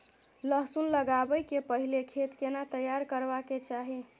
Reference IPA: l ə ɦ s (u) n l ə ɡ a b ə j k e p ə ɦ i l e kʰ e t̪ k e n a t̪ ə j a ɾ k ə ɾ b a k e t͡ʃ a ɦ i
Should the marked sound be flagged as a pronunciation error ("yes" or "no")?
no